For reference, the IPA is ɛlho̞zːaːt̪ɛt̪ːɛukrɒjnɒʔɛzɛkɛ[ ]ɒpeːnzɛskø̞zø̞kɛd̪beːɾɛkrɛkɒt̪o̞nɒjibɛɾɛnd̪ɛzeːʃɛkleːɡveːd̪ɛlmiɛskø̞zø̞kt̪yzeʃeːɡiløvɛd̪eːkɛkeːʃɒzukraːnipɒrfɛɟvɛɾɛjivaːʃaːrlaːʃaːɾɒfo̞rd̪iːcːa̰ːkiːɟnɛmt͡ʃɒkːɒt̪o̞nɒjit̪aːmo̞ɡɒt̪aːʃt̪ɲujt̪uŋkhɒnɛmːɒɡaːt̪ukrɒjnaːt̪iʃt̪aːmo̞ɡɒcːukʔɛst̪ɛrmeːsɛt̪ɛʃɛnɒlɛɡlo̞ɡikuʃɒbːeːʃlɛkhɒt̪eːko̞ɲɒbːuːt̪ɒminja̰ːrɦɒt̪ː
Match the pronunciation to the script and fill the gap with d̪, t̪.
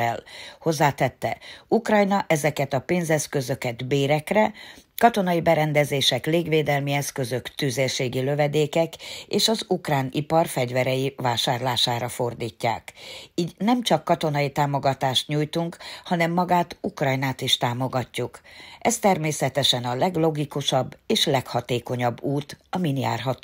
t̪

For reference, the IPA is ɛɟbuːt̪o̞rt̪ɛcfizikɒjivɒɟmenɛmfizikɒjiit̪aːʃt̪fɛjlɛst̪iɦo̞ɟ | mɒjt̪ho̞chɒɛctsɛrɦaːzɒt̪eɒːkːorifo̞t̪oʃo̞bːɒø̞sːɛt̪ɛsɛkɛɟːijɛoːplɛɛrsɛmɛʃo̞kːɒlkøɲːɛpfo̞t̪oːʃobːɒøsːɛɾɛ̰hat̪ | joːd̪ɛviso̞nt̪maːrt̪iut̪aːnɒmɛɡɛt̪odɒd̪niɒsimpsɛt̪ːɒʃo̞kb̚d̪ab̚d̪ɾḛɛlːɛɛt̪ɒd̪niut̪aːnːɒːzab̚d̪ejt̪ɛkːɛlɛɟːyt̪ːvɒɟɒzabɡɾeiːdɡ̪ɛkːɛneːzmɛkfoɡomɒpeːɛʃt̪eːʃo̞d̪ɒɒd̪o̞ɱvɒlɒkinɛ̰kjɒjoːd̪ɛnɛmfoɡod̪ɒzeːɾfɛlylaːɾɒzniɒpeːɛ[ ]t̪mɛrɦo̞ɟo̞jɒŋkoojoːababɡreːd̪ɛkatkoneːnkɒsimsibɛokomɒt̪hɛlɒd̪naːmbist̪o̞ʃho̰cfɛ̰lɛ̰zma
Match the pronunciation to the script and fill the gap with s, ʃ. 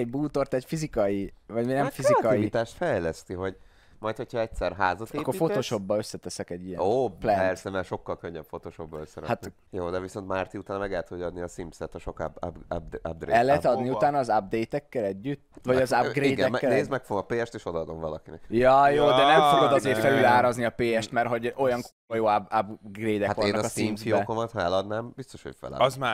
ʃ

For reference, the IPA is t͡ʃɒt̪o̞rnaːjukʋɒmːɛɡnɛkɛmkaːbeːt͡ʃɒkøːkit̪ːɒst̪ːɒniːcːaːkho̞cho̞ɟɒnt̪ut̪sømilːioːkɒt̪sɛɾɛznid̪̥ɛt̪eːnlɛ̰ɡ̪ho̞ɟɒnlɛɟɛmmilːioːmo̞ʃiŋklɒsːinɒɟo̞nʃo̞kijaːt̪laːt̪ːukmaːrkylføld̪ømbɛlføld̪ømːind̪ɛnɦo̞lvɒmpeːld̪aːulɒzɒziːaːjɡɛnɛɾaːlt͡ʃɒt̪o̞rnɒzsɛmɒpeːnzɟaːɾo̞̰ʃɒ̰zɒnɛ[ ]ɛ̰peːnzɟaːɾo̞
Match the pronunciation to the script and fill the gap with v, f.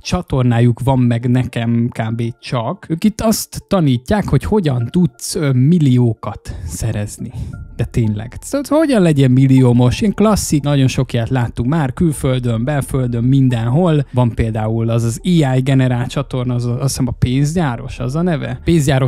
v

